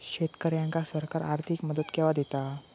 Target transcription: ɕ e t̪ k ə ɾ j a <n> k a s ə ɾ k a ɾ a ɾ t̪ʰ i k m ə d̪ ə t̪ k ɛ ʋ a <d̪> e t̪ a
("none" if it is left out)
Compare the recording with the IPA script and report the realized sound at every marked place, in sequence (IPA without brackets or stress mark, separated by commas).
ŋ, d̪